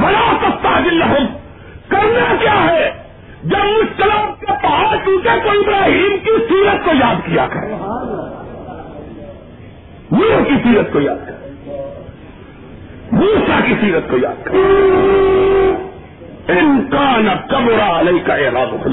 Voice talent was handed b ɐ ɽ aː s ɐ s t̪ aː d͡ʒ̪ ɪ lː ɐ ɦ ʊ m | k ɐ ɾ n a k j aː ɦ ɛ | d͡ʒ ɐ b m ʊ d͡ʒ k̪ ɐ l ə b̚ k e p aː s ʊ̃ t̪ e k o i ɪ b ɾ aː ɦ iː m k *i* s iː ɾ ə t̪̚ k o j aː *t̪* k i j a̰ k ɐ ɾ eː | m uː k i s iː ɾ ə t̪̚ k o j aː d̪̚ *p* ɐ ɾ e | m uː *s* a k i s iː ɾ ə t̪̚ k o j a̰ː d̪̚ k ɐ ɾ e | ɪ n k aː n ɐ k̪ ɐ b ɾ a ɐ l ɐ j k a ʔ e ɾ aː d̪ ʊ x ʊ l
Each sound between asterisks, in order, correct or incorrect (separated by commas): correct, incorrect, incorrect, correct